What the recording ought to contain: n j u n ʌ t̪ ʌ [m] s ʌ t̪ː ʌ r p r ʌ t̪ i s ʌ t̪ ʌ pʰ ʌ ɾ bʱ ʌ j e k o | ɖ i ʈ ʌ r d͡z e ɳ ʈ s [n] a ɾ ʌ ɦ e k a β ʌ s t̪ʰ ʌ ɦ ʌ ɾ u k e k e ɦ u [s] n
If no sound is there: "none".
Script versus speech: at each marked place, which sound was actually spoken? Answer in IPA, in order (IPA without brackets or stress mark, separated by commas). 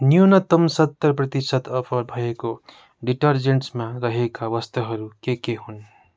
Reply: m, m, none